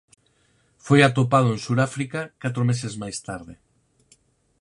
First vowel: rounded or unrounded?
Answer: rounded